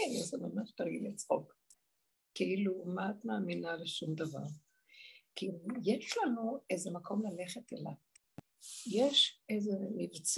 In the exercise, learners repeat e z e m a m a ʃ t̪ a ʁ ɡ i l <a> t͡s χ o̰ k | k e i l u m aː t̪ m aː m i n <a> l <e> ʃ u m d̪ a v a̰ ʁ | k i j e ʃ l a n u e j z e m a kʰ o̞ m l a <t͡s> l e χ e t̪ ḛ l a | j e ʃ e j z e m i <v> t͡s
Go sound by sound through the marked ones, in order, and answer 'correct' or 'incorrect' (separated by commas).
incorrect, correct, correct, incorrect, correct